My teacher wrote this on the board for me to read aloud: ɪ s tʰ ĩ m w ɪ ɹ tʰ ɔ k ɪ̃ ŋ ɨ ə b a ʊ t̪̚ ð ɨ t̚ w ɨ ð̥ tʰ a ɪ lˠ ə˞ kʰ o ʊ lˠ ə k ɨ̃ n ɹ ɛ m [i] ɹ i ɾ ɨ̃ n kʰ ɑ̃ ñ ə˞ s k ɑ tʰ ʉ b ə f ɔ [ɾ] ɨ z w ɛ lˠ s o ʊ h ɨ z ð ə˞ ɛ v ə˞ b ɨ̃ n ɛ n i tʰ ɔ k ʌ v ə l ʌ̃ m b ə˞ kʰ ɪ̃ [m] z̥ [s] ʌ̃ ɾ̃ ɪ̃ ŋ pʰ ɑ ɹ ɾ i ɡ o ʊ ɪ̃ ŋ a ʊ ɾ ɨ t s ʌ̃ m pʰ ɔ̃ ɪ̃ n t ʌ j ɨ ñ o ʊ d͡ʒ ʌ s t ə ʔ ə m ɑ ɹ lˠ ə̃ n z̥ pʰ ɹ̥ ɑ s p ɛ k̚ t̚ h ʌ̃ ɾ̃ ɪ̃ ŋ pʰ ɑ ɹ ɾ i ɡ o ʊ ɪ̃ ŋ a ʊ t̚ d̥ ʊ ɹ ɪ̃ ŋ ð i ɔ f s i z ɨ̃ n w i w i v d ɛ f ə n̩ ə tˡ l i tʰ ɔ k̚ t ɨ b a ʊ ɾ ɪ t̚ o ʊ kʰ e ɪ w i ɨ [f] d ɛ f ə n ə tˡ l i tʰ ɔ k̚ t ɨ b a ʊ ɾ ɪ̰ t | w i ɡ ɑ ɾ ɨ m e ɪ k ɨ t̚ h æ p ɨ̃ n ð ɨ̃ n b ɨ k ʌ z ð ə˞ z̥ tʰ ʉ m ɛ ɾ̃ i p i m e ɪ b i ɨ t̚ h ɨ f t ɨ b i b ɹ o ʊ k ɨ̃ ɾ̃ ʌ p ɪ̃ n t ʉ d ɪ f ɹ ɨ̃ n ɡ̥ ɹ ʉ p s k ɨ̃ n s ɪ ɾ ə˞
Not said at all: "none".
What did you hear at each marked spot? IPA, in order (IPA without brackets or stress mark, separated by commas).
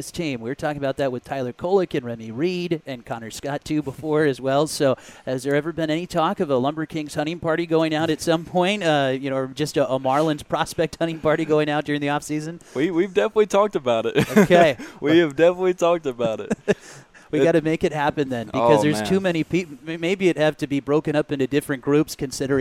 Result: i, ɹ, ŋ, h, v